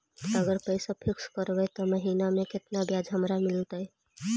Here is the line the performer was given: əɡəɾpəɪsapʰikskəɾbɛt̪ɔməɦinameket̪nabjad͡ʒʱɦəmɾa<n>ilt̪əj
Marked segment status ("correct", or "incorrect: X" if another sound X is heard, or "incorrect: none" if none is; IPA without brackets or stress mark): incorrect: m